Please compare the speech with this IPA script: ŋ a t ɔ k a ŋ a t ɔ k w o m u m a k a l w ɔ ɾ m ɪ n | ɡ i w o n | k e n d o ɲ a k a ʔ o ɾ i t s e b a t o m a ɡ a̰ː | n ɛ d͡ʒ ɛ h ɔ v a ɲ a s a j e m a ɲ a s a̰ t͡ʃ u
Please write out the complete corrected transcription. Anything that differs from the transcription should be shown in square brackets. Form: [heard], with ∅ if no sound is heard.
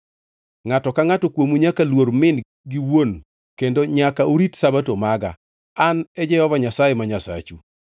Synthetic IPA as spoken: ŋ a t ɔ k a ŋ a t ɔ k w o m u [ɲ] a k a l w [o] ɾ m ɪ n | ɡ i w o n | k e n d o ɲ a k a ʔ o ɾ i t s [a] b a t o m a ɡ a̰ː | n ɛ d͡ʒ ɛ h ɔ v a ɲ a s a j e m a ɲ a s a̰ t͡ʃ u